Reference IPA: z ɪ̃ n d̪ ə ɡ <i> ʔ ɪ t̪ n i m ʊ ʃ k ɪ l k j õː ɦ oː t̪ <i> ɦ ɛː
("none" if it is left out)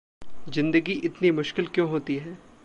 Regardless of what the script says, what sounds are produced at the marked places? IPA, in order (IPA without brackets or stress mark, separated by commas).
i, i